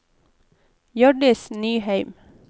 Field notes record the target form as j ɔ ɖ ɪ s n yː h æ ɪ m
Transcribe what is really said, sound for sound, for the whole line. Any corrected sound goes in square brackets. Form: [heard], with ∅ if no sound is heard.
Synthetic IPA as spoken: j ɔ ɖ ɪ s n yː h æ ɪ m